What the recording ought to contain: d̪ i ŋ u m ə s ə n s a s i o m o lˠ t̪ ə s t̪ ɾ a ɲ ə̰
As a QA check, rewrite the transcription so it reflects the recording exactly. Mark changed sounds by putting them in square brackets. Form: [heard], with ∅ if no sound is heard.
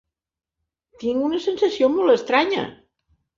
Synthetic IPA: [t̪] i ŋ u [n] ə s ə n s [ə] s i o m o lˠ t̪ ə s t̪ ɾ a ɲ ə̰